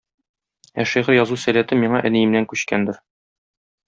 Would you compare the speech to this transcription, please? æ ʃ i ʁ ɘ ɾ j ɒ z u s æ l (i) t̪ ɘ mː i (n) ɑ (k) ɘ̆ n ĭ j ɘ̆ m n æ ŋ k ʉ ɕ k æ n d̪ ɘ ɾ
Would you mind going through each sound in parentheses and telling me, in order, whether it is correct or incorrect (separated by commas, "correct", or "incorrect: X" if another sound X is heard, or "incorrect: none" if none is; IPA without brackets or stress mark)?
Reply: incorrect: æ, incorrect: ɴ, incorrect: ʔ